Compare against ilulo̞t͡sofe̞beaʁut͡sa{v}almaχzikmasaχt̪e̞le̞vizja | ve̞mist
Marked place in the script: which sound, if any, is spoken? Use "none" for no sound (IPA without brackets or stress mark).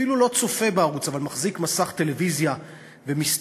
v